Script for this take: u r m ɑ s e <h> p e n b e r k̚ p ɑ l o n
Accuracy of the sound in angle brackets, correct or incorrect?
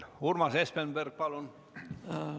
incorrect